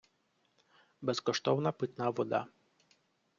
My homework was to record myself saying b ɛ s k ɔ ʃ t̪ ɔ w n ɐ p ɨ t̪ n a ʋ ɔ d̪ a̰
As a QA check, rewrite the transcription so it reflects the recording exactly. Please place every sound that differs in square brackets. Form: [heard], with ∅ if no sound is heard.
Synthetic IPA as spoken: b ɛ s k ɔ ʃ t̪ ɔ w n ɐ p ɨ t̪ n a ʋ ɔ d̪ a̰